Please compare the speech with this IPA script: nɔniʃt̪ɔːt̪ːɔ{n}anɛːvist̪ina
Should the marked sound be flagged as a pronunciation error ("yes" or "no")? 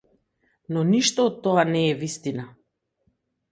yes